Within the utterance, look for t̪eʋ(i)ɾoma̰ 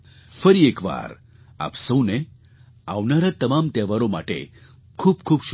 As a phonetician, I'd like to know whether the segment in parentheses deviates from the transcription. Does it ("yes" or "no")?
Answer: yes